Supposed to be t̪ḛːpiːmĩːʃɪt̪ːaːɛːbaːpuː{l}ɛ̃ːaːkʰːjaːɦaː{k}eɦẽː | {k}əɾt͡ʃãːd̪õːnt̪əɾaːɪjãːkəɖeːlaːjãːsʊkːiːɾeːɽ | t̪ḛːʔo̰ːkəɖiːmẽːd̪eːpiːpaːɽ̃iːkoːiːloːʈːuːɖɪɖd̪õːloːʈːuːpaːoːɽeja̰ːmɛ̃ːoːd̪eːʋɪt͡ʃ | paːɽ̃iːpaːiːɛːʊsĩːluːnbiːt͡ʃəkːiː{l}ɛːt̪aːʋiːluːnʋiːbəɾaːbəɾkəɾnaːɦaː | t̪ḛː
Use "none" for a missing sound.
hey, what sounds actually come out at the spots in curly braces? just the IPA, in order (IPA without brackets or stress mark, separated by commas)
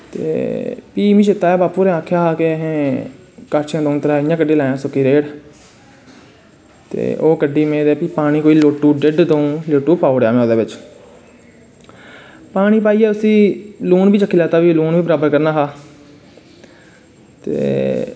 ɾ, k, k, l